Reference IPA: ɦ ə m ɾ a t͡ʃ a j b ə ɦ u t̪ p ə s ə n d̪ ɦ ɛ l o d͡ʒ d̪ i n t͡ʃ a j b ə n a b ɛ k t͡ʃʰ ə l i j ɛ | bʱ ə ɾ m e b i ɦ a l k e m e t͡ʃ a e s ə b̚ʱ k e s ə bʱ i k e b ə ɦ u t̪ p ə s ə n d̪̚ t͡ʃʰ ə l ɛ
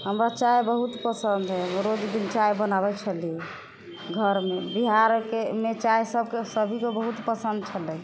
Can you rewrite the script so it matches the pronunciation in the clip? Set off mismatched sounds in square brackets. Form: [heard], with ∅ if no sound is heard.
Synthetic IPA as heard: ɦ ə m ɾ a t͡ʃ a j b ə ɦ u t̪ p ə s ə n d̪ ɦ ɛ [ɾ] o d͡ʒ d̪ i n t͡ʃ a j b ə n a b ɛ k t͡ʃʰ ə l i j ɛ | [ɡʱ] ə ɾ m e b i ɦ a [ɾ] k e m e t͡ʃ a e s ə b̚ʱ k e s ə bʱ i k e b ə ɦ u t̪ p ə s ə n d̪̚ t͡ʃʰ ə l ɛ